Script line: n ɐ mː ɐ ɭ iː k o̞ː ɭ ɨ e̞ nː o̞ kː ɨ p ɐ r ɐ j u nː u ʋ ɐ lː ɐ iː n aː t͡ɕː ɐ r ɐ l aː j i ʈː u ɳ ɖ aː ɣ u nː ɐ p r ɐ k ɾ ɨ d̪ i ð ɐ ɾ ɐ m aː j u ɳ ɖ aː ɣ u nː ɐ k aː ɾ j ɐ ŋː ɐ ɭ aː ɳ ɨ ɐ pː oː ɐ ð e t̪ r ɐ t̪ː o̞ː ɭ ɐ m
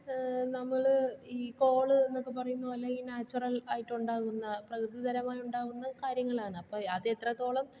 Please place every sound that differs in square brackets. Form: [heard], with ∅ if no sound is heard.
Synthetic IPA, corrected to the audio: n ɐ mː ɐ ɭ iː k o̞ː ɭ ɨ e̞ nː o̞ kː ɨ p ɐ r ɐ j u nː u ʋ ɐ lː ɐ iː n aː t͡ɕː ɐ r ɐ l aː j i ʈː u ɳ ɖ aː ɣ u nː ɐ p r ɐ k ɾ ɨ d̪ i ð ɐ ɾ ɐ m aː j u ɳ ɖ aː ɣ u nː ɐ k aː ɾ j ɐ ŋː ɐ ɭ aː ɳ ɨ ɐ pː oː ɐ ð e t̪ r ɐ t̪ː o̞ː ɭ ɐ m